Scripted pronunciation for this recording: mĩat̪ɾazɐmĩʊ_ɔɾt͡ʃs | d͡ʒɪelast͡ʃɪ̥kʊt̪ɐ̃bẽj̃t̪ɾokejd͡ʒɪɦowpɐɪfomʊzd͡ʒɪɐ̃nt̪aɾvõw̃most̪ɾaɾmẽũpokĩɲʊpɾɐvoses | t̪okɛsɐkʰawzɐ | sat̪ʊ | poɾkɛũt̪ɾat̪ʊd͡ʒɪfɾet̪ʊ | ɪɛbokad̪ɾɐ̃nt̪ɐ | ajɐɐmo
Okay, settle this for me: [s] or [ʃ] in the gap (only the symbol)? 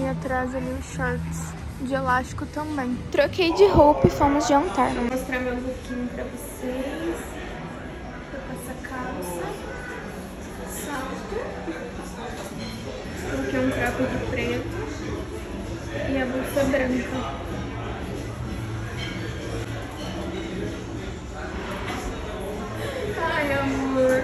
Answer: ʃ